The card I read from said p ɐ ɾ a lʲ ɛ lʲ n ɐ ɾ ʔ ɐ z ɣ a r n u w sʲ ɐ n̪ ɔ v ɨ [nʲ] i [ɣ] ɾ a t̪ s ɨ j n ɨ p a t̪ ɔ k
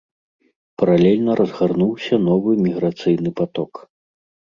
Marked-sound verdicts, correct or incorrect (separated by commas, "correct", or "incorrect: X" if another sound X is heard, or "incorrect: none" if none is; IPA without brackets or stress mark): incorrect: mʲ, correct